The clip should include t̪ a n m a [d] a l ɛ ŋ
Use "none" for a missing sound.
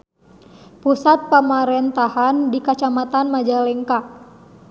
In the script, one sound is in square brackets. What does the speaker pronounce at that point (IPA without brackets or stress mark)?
d͡ʒ